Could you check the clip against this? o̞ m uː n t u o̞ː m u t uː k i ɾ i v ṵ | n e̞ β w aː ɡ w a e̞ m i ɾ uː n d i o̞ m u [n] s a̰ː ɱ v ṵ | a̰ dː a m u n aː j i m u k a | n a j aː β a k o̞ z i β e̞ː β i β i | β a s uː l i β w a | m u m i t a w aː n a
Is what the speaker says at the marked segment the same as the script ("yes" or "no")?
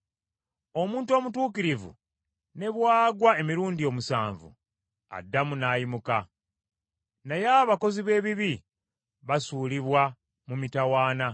no